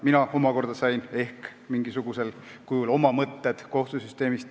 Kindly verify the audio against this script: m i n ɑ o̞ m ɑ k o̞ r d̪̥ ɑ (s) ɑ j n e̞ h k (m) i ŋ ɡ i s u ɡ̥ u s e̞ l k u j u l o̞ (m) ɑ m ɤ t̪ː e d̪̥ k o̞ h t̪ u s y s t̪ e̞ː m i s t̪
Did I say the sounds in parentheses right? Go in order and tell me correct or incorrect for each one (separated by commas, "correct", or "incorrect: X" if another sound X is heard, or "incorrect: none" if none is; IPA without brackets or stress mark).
correct, correct, correct